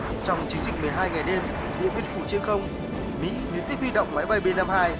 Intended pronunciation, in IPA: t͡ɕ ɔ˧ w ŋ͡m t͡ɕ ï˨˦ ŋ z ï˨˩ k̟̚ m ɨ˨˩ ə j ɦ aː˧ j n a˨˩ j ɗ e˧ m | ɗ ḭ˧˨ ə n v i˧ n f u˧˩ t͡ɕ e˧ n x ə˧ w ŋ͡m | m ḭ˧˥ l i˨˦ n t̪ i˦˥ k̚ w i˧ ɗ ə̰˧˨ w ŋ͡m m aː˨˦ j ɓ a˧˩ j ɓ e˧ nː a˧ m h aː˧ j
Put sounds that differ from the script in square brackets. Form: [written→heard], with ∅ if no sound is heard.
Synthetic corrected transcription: t͡ɕ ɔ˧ w ŋ͡m t͡ɕ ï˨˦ ŋ z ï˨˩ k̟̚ m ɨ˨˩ ə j ɦ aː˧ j [n→ŋ] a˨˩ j ɗ e˧ m | ɗ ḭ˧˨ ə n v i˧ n f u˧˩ t͡ɕ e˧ n x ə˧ w ŋ͡m | m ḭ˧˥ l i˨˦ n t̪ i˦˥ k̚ w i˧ ɗ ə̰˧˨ w ŋ͡m m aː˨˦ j ɓ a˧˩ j ɓ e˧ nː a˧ m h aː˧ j